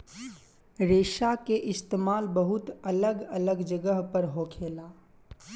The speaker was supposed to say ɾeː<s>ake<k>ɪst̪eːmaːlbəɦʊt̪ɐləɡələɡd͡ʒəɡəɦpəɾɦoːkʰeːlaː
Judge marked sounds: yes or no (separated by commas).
no, no